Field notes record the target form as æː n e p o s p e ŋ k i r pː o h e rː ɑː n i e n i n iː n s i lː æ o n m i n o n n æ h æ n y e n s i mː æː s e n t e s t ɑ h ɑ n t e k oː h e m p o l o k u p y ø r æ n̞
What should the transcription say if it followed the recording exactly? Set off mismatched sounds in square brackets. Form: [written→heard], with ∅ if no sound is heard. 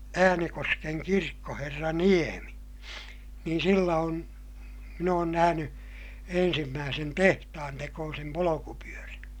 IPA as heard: æː n e [p→k] o s [p→k] e ŋ k i r [pː→kː] o h e rː [ɑː→ɑ] n i e [n→m] i n iː n s i lː æ o n m i n [o→oː] n n æ h æ n y e n s i mː æː s e n t e [s→h] t ɑ h ɑ n t e k oː [h→s] e m p o l o k u p y ø r æ n̞